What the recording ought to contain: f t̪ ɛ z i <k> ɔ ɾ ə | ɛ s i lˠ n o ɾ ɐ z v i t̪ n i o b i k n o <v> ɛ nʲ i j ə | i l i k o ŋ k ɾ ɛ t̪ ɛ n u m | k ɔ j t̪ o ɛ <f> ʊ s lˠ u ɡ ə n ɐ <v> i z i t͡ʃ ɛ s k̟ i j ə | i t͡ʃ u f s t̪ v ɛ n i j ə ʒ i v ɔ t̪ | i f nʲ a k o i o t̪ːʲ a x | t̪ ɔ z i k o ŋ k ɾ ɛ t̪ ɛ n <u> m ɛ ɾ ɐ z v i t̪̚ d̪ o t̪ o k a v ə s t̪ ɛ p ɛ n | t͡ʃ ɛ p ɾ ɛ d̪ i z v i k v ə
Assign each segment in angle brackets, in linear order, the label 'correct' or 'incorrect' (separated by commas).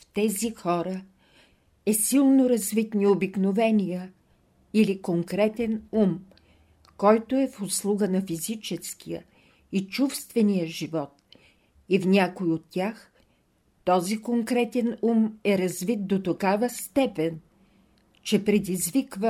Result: incorrect, correct, correct, incorrect, correct